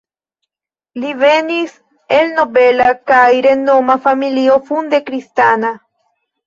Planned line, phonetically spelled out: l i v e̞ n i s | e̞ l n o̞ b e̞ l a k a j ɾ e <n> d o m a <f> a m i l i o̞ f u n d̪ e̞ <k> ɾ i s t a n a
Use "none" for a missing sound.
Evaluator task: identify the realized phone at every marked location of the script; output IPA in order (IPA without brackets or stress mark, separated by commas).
n, f, k